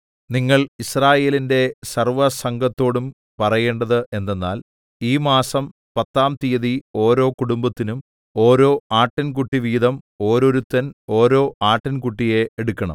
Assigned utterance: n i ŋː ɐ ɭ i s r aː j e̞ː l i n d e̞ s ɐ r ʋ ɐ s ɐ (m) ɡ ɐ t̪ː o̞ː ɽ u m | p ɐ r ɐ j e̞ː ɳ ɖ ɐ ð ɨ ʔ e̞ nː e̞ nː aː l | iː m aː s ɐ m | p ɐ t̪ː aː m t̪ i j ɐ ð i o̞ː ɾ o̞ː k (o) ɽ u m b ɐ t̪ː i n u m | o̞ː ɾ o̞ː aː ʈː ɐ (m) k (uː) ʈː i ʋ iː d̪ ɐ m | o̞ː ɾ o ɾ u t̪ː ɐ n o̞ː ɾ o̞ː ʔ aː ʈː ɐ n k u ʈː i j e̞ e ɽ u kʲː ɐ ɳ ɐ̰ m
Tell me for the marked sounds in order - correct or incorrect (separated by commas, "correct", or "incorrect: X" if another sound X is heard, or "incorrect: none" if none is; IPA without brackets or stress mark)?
incorrect: ŋ, incorrect: u, incorrect: n, incorrect: u